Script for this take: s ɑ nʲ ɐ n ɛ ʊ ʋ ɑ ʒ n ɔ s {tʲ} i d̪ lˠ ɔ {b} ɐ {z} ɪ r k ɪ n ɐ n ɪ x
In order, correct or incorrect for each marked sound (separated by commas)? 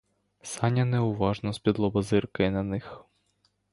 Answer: incorrect, correct, correct